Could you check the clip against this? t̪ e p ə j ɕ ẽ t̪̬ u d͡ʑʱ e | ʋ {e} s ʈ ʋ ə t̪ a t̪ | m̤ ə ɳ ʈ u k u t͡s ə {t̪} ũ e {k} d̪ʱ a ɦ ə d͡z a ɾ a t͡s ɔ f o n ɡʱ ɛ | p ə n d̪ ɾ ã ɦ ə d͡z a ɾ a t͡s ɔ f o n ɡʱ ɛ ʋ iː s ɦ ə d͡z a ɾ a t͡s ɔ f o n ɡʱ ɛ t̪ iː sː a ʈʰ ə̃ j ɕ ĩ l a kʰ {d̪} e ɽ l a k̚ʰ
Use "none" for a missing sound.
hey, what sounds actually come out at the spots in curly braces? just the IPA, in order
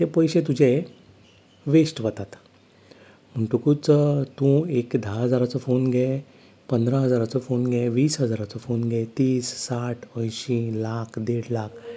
e, t̪, k, d̪

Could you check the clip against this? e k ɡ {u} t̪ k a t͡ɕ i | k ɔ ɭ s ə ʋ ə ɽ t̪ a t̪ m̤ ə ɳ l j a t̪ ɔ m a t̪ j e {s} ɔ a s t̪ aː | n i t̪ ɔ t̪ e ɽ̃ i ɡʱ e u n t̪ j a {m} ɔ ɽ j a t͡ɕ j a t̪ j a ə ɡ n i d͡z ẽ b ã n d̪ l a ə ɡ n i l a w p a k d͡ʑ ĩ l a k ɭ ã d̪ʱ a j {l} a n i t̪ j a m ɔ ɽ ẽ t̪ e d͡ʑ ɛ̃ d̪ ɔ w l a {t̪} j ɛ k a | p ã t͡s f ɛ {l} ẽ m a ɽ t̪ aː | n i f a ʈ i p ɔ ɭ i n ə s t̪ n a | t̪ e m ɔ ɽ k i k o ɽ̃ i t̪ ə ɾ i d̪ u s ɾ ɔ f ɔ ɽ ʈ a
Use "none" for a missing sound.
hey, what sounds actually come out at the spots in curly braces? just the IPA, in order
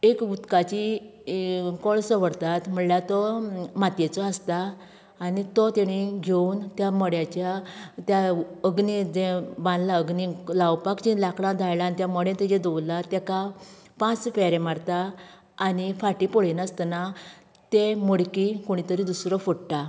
u, t͡s, m, l, t̪, ɾ

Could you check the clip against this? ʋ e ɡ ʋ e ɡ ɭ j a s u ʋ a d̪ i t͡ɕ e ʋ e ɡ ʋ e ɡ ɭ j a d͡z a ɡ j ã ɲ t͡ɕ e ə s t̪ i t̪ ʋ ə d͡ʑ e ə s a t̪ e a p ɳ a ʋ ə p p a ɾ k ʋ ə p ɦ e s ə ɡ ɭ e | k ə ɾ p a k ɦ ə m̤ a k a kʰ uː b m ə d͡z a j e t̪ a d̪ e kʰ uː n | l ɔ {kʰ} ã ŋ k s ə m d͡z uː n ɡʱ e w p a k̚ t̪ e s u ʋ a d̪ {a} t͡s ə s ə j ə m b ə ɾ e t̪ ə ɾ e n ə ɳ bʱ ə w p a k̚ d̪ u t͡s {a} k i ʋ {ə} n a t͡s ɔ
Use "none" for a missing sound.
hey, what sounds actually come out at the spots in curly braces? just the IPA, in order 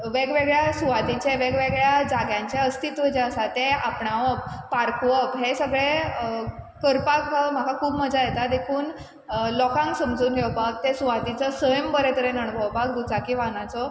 k, i, a, a

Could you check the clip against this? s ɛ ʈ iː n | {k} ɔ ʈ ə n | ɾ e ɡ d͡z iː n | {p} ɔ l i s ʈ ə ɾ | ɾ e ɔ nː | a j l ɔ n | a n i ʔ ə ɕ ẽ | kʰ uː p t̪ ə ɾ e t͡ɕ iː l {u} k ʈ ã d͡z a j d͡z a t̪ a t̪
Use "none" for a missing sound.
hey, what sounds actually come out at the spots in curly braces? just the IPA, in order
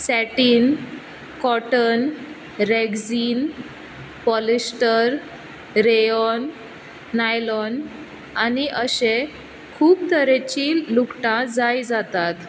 k, p, u

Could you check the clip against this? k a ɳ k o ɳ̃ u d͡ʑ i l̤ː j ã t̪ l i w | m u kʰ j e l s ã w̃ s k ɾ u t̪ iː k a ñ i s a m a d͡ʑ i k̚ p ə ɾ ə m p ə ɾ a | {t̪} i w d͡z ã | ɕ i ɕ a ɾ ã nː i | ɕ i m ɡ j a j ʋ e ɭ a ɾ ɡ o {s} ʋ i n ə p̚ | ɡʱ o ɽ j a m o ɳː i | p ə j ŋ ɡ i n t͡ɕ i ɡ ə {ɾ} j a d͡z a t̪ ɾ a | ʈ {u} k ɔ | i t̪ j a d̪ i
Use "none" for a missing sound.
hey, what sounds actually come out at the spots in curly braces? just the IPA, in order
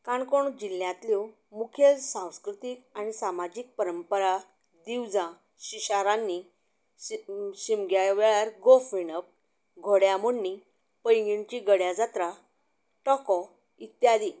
d̪, f, ɽ, ɔ

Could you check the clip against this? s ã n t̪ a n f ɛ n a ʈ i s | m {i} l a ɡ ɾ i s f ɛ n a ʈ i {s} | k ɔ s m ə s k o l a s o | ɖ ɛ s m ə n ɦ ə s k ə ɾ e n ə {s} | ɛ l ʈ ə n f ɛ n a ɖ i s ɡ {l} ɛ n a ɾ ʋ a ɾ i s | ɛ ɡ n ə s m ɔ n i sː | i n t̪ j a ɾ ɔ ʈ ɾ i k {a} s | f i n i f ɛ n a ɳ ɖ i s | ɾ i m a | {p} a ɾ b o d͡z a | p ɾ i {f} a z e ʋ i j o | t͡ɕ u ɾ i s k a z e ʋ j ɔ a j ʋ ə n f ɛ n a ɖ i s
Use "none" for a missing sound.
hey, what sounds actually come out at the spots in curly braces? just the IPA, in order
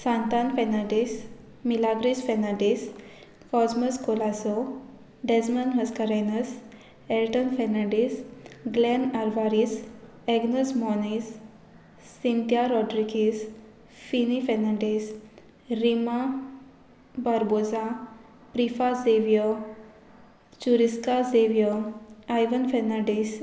i, s, s, l, i, b, f

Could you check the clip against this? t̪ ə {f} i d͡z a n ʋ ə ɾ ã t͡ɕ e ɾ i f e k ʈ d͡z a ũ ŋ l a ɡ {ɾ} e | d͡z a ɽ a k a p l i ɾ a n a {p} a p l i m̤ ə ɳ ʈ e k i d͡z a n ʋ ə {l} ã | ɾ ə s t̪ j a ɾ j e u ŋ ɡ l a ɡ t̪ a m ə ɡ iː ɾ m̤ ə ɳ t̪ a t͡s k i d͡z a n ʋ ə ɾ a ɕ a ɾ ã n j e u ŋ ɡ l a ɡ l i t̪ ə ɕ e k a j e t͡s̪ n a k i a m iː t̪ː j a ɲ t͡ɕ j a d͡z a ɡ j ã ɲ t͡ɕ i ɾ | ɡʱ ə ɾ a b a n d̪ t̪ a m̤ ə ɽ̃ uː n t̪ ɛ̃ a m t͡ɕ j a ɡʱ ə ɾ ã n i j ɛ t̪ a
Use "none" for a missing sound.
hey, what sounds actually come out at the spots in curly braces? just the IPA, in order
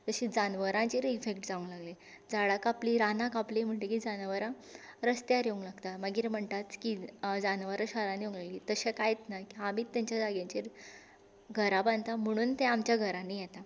ɕ, l, k, ɾ

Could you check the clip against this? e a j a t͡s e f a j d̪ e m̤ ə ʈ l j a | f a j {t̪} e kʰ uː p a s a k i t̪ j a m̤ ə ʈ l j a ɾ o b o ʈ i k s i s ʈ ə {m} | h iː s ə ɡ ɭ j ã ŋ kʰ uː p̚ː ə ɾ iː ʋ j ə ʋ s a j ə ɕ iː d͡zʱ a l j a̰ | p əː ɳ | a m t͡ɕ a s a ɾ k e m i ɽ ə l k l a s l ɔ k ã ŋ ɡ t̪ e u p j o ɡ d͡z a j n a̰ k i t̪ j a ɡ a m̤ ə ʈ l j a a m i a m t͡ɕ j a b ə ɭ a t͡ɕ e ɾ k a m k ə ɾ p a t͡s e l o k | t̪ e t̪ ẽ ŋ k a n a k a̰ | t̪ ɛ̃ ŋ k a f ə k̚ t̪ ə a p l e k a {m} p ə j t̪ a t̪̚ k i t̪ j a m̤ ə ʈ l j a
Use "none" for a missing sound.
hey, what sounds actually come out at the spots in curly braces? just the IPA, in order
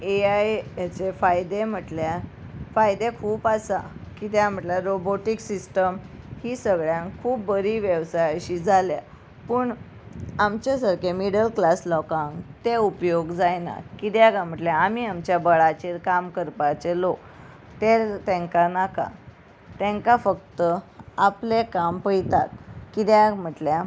d̪, m, m

